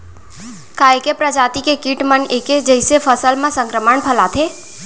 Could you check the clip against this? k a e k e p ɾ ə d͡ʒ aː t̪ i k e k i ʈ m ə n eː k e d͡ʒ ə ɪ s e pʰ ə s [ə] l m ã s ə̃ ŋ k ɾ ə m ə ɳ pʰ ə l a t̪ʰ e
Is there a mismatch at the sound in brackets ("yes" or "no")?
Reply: no